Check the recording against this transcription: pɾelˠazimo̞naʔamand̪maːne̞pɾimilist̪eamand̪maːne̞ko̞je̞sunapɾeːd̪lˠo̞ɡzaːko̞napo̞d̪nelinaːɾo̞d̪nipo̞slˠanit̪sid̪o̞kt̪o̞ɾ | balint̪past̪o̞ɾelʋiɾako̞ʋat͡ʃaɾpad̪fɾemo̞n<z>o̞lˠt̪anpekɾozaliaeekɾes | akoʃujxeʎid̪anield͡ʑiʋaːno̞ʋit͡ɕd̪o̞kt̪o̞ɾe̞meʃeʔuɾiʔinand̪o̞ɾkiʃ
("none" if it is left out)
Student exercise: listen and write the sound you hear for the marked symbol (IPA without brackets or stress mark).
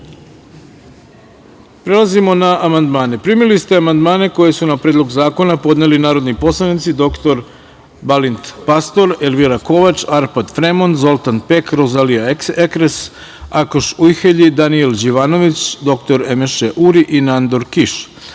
z